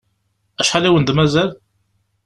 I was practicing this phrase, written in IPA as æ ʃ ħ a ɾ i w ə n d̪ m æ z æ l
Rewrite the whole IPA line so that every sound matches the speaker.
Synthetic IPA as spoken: æ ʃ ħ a l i w ə n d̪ m æ z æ l